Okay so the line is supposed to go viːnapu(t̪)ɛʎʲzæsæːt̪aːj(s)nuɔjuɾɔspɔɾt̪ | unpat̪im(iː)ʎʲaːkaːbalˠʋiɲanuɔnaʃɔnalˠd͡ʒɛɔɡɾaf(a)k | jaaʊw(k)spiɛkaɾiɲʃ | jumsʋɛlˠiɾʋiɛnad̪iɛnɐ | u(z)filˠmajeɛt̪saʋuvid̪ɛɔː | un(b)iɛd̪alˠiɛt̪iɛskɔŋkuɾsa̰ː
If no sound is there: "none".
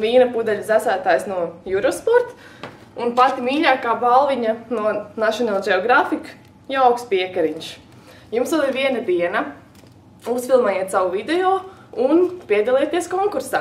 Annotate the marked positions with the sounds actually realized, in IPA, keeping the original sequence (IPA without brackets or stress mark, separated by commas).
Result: d̪, s, iː, i, k, s, p